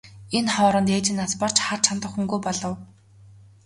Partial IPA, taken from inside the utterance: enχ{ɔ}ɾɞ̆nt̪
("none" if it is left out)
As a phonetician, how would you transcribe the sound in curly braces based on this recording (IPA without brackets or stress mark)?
ɔː